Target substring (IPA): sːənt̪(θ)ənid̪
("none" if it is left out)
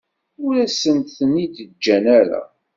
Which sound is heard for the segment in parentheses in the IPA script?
θ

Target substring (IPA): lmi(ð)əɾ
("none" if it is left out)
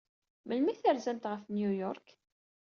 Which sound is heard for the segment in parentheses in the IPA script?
θ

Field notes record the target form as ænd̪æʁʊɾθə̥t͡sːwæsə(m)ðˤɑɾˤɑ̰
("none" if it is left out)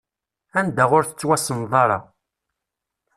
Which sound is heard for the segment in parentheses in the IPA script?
n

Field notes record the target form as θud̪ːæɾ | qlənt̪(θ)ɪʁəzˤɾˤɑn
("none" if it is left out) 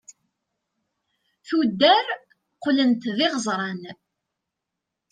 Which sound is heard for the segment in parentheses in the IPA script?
ð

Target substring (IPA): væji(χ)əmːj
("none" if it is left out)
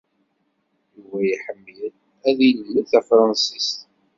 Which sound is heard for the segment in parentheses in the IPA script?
ħ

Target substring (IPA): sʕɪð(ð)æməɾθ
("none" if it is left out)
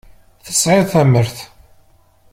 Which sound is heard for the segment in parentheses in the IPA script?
θ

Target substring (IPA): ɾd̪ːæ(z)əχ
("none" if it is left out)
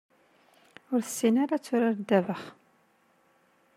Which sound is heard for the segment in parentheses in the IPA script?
v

